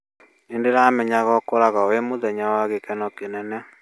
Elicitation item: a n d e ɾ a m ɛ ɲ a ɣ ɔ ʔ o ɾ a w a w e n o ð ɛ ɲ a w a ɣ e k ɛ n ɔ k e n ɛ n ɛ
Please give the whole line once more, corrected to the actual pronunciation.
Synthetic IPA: e n d e ɾ a m ɛ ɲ a ɣ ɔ k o ɾ a ɣ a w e m o ð ɛ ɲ a w a ɣ e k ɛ n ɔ k e n ɛ n ɛ